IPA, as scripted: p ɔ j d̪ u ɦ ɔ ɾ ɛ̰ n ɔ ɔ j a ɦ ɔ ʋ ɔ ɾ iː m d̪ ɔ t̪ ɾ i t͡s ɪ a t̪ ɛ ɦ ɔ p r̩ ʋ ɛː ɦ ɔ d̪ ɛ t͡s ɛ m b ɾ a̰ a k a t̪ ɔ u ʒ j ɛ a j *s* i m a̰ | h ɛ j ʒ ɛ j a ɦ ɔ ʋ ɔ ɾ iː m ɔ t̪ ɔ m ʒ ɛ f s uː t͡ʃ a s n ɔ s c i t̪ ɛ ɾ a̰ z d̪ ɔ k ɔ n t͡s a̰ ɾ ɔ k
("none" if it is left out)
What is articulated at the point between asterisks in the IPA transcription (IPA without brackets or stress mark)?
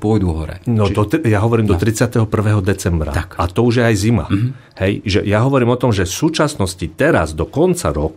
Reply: z